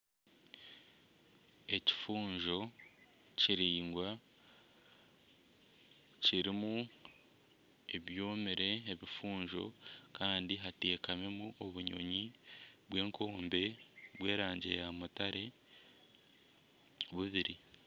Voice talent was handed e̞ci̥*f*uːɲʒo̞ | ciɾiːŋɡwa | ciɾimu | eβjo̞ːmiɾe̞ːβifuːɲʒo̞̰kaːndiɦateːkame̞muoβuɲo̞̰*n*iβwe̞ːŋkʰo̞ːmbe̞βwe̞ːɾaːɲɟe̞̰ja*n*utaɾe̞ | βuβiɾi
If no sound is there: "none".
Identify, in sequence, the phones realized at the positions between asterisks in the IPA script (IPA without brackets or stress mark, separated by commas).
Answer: f, ɲ, m